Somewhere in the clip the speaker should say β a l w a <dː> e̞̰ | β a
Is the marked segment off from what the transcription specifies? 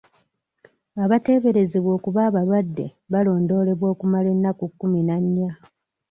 no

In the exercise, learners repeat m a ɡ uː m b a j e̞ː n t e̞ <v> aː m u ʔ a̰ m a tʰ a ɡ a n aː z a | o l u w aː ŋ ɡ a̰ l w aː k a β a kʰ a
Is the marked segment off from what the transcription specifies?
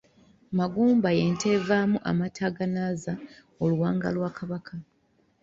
no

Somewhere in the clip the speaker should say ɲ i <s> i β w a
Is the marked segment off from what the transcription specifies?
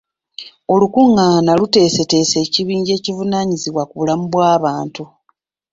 yes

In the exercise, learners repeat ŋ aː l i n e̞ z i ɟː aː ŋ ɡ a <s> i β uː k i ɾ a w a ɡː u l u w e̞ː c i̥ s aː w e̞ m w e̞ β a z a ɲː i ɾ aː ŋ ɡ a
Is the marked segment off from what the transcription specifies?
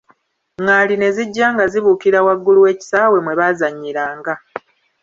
yes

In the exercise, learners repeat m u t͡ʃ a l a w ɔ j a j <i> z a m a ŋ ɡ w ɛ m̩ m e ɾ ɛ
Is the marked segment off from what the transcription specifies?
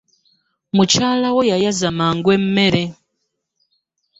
yes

